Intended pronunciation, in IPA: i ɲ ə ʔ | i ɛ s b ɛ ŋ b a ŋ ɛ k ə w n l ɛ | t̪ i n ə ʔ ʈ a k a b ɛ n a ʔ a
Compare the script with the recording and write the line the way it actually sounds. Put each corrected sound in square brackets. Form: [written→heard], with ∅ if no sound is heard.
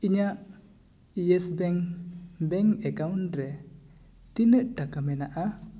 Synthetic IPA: i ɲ [ə→a] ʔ | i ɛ s b ɛ ŋ b [a→ɛ] ŋ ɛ k [ə→a] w n [l→ɾ] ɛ | t̪ i n ə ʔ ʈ a k a [b→m] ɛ n a ʔ a